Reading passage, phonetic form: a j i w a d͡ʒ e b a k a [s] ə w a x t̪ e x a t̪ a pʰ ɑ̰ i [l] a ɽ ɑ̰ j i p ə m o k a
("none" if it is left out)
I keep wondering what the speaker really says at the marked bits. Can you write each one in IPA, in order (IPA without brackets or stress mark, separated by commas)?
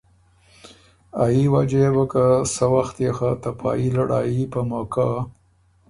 s, l